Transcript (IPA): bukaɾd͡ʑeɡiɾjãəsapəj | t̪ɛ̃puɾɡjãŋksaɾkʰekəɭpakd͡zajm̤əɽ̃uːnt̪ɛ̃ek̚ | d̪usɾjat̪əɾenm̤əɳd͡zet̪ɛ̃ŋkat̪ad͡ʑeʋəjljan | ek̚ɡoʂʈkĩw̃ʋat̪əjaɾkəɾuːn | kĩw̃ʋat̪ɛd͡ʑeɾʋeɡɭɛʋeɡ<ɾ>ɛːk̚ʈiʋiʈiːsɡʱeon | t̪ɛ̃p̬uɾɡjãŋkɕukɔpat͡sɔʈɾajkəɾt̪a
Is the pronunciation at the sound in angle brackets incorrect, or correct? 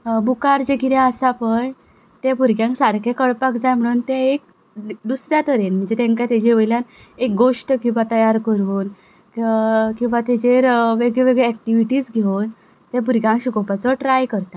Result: incorrect